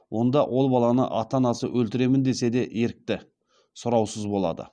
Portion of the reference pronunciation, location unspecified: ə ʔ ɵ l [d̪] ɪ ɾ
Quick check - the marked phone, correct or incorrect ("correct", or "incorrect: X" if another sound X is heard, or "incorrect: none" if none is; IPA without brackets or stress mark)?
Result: incorrect: t̪